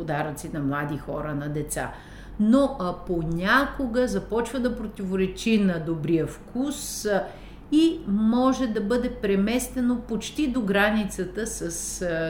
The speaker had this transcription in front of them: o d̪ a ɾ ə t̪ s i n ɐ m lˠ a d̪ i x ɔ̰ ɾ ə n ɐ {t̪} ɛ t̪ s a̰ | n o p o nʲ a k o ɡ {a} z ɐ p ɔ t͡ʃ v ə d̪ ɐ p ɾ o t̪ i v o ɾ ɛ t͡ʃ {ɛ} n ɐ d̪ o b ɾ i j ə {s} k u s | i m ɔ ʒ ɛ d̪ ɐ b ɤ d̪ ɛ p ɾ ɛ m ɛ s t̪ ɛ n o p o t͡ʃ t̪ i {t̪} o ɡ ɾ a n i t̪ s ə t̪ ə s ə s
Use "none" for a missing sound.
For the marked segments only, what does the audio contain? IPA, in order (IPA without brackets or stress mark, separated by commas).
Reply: d̪, ə, i, f, d̪